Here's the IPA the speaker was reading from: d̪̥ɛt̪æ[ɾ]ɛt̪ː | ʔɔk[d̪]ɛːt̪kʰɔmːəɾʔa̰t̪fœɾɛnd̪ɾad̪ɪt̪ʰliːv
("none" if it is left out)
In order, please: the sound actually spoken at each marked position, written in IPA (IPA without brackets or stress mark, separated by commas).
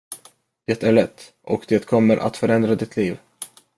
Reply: ɭ, d̪